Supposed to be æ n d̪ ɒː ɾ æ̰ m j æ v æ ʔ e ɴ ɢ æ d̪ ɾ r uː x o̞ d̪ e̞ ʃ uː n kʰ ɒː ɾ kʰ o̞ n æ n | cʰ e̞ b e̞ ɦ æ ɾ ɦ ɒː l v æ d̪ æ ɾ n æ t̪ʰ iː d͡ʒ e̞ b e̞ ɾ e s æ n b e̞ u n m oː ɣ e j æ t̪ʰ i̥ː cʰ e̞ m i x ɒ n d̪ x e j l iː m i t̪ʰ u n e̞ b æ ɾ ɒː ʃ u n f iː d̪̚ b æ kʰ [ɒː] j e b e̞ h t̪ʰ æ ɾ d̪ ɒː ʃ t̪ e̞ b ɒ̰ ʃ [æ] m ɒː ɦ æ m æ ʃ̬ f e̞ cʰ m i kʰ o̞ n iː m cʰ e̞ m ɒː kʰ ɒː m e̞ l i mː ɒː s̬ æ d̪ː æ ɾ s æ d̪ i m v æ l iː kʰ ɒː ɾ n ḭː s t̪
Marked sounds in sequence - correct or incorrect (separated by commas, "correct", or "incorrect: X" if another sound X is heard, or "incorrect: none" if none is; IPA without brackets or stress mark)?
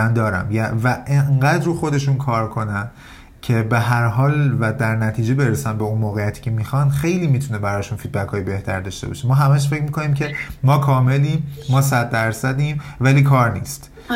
correct, incorrect: e